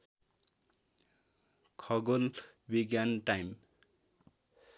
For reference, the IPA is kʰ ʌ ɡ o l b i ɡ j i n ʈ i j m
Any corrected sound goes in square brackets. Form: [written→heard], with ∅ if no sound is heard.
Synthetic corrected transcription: kʰ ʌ ɡ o l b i ɡ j [i→a] n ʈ [i→a] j m